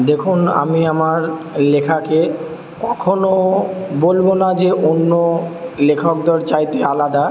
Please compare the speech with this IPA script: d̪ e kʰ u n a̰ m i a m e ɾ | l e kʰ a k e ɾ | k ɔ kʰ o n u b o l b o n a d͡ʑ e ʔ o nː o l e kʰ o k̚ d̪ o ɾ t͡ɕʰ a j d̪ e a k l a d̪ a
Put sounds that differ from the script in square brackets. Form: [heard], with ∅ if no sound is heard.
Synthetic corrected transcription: d̪ e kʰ u n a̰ m i a m [a] ɾ | l e kʰ a k e [∅] | k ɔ kʰ o n [o] b o l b o n a d͡ʑ e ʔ o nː o l e kʰ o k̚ d̪ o ɾ [t͡ɕ] a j [t̪] e a [∅] l a d̪ a